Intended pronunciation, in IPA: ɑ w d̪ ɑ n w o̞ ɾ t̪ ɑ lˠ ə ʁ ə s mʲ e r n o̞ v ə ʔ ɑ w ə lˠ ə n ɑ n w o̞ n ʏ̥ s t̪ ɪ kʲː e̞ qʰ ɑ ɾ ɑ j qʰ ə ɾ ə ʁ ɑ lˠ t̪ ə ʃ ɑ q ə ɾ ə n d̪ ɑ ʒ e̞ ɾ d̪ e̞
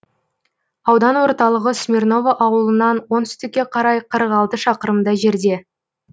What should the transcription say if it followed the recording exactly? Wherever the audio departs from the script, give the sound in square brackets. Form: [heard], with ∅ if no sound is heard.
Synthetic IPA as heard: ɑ w d̪ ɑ n w o̞ ɾ t̪ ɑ lˠ ə ʁ ə s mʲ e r n o̞ v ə ʔ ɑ w ə lˠ ə n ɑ n w o̞ n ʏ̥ s t̪ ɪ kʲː e̞ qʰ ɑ ɾ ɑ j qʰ ə ɾ ə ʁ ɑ lˠ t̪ ə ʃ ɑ q ə ɾ ə [m] d̪ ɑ ʒ e̞ ɾ d̪ e̞